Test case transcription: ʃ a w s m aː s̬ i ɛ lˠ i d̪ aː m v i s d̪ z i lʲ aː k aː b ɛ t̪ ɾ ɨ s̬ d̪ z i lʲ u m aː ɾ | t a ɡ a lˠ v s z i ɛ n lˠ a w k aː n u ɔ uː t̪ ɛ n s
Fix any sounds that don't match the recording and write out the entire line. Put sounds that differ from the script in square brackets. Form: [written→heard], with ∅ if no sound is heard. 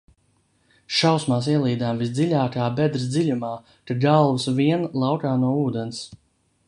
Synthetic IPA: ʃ a w s m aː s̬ i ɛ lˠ [i→iː] d̪ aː m v i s d̪ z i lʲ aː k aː b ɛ [t̪→d̪] ɾ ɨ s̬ d̪ z i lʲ u m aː [ɾ→∅] | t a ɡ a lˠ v s [z→v] i ɛ n lˠ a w k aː n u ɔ uː [t̪→d̪] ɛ n s

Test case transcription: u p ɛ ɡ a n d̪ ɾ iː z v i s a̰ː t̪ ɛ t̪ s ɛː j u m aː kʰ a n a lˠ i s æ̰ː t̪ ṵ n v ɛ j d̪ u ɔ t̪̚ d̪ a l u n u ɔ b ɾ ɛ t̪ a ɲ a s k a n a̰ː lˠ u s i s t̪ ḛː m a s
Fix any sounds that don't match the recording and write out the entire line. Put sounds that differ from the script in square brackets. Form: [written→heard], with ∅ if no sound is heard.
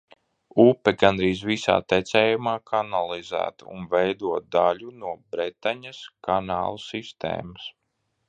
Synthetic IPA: u p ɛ ɡ a n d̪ ɾ iː z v i s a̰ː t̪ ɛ t̪ s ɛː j u m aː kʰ a n a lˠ i [s→z] æ̰ː t̪ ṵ n v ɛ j d̪ u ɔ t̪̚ d̪ a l u n u ɔ b ɾ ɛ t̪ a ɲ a s k a n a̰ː lˠ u s i s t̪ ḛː m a s

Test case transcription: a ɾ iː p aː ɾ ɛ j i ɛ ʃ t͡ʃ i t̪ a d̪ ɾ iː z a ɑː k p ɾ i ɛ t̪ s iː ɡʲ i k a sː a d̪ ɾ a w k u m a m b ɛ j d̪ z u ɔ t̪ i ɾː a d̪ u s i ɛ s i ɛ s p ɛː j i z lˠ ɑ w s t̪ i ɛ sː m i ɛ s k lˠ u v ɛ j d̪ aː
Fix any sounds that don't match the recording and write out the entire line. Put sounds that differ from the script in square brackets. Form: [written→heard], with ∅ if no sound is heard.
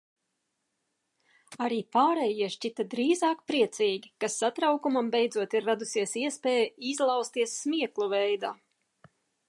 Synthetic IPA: a ɾ iː p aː ɾ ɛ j i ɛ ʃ t͡ʃ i t̪ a d̪ ɾ iː z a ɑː k p ɾ i ɛ t̪ s iː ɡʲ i k a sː a [d̪→t̪] ɾ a w k u m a m b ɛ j d̪ z u ɔ t̪ i ɾː a d̪ u s i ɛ s i ɛ s p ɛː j i z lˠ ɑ w s t̪ i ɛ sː m i ɛ [s→∅] k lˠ u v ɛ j d̪ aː

